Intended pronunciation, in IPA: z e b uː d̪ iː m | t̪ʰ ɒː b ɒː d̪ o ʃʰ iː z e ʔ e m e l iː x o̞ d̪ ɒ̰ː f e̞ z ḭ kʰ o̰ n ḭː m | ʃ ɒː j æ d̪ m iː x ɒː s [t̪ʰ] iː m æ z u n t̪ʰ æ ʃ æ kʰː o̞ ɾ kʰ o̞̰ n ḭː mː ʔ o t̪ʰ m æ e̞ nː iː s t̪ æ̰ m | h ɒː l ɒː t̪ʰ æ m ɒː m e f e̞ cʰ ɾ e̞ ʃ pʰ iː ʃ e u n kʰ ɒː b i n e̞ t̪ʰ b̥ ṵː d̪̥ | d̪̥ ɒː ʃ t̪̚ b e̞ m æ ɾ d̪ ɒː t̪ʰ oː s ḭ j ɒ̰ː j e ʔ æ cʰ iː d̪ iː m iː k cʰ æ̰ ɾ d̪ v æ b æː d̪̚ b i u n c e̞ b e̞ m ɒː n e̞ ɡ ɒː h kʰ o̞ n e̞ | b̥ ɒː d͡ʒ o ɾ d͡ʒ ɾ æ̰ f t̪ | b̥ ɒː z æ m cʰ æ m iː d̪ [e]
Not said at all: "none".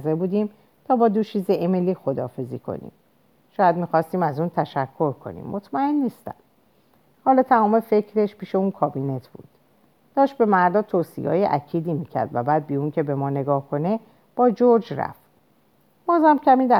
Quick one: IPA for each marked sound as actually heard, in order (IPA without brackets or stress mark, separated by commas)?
t̪, æ